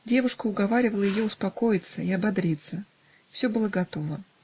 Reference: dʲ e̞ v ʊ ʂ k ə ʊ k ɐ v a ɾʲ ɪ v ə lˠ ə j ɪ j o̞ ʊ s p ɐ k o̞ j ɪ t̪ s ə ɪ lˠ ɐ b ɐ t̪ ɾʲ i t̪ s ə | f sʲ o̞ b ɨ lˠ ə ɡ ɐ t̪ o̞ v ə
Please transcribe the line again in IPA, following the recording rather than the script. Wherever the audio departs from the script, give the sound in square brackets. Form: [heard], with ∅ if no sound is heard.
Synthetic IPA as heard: dʲ e̞ v ʊ ʂ k ə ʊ [ɡ] ɐ v a ɾʲ ɪ v ə lˠ ə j ɪ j o̞ ʊ s p ɐ k o̞ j ɪ t̪ s ə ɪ [∅] ɐ b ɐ [d̪] ɾʲ i t̪ s ə | f sʲ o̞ b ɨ lˠ ə ɡ ɐ t̪ o̞ v ə